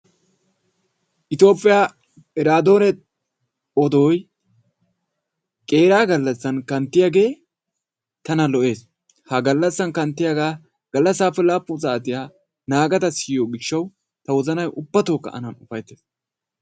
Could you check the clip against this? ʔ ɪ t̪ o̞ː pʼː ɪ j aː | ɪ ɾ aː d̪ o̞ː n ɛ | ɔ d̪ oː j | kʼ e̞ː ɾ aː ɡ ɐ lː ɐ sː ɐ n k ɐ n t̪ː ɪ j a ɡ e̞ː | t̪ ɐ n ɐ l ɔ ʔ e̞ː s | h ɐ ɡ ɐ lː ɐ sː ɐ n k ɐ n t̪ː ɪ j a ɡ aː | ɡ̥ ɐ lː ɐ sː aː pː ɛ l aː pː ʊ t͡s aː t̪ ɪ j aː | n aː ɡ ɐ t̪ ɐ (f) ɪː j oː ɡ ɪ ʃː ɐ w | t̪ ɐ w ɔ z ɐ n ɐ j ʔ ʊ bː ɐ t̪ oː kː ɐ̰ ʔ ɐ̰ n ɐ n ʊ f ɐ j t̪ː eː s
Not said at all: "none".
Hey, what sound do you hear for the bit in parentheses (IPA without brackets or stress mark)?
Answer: s